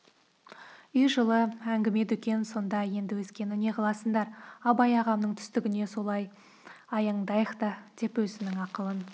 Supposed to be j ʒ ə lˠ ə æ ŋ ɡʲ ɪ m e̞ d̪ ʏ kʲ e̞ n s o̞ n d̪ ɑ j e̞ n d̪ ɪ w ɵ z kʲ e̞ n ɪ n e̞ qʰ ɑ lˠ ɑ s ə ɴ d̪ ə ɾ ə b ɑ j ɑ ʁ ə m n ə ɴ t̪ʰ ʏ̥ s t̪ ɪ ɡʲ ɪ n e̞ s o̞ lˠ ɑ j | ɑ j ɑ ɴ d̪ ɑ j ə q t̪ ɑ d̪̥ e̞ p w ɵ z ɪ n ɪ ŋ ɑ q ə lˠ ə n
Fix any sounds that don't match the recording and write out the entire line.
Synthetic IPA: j ʒ ə lˠ ə æ ŋ ɡʲ ɪ m e̞ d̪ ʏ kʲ e̞ n s o̞ n d̪ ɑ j e̞ n d̪ ɪ w ɵ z kʲ e̞ n ɪ n e̞ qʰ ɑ lˠ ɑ s ə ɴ d̪ ɑ ɾ ɑ b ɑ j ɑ ʁ ɑ m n ə ɴ t̪ʰ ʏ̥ s t̪ ɪ ɡʲ ɪ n e̞ s o̞ lˠ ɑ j | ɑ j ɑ ɴ d̪ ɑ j ə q t̪ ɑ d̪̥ e̞ p w ɵ z ɪ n ɪ ŋ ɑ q ə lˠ ə n